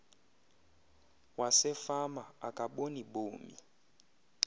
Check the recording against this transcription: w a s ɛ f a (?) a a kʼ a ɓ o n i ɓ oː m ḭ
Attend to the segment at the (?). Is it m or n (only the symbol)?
m